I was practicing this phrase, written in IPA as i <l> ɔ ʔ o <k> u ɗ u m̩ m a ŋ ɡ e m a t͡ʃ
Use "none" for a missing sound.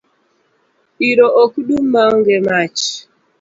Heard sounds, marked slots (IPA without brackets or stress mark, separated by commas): ɾ, k